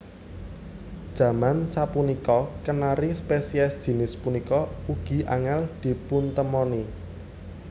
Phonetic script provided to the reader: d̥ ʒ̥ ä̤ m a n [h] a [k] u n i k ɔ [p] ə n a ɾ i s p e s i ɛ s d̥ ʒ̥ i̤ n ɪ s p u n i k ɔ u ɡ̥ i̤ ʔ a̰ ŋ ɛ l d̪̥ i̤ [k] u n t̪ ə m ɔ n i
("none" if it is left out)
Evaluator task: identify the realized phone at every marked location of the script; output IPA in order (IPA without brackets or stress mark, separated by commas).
s, p, k, p